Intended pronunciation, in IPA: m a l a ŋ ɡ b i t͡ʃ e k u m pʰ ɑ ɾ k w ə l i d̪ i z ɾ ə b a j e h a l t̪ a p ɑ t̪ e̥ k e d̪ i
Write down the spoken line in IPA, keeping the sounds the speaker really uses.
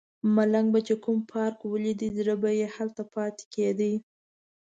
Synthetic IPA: m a l a ŋ ɡ b a t͡ʃ e k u m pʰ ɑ ɾ k w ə l i d̪ i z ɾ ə b a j e h a l t̪ a p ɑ t̪ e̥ k e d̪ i